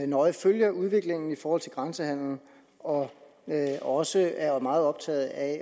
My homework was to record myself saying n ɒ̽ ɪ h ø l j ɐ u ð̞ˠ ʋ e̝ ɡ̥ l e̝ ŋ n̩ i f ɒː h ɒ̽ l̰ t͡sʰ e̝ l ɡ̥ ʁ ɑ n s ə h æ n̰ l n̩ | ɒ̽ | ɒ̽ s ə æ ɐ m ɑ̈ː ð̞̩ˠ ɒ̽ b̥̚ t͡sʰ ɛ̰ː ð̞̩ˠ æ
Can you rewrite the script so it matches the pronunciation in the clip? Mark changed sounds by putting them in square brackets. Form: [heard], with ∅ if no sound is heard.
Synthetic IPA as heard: n ɒ̽ ɪ [f] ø l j ɐ u ð̞ˠ ʋ e̝ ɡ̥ l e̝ ŋ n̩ i f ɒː h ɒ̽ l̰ t͡sʰ e̝ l ɡ̥ ʁ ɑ n s ə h æ n̰ l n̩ | ɒ̽ | ɒ̽ s ə æ ɐ m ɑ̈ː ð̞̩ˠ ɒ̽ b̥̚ t͡sʰ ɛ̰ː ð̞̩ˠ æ